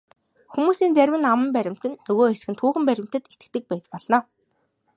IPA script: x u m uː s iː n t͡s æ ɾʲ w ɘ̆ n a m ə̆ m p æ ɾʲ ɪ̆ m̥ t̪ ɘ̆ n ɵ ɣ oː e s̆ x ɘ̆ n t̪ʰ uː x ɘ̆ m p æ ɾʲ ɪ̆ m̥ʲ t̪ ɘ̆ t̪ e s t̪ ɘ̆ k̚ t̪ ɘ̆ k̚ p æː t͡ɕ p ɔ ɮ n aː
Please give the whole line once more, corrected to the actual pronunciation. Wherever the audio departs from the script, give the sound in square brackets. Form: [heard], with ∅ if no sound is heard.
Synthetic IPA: x u m uː s iː n t͡s æ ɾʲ w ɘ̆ n a m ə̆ m p æ ɾʲ ɪ̆ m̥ t̪ ɘ̆ [nː] ɵ ɣ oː e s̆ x ɘ̆ n t̪ʰ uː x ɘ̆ m p æ ɾʲ ɪ̆ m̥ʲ t̪ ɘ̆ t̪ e [∅] t̪ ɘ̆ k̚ t̪ ɘ̆ k̚ p æː t͡ɕ p ɔ ɮ n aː